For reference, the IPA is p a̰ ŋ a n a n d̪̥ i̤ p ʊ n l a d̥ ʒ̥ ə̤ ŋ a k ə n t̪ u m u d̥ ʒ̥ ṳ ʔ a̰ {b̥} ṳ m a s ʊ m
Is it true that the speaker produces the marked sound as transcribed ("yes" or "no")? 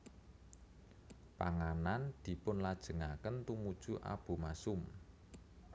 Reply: yes